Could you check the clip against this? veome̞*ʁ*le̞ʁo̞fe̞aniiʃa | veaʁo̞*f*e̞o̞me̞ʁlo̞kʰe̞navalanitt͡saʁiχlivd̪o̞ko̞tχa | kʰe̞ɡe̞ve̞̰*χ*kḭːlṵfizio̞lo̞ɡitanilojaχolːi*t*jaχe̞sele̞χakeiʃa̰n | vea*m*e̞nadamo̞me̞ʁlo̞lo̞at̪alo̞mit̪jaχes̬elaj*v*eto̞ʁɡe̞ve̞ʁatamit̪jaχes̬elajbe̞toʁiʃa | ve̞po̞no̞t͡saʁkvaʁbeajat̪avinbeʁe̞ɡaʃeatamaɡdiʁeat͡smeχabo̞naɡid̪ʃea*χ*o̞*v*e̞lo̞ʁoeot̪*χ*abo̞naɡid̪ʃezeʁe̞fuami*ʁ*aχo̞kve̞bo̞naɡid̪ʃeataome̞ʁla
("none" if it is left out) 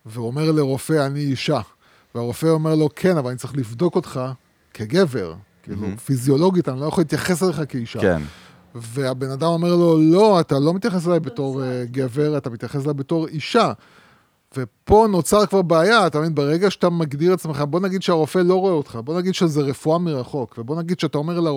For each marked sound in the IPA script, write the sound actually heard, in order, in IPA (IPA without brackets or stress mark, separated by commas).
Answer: ʁ, f, ʁ, t, b, b, ʁ, f, χ, ʁ